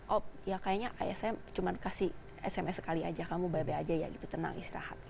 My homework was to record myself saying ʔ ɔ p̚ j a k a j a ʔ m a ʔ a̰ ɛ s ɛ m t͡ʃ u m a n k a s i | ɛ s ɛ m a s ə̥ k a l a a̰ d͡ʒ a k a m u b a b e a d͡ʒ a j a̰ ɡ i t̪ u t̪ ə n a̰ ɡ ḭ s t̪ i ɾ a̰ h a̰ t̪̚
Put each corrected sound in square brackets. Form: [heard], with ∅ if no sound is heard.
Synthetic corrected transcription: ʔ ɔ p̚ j a k a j a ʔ [ɲ] a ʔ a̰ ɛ s ɛ m t͡ʃ u m a n k a s i | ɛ s ɛ m [ɛ] s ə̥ k a l [i] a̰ d͡ʒ a k a m u b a b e a d͡ʒ a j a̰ ɡ i t̪ u t̪ ə n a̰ [ŋ] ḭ s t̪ i ɾ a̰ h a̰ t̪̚